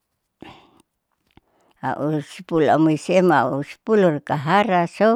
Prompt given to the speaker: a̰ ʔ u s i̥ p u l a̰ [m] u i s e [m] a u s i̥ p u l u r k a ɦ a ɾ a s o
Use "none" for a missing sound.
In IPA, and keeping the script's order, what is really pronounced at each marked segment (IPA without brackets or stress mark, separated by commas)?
m, m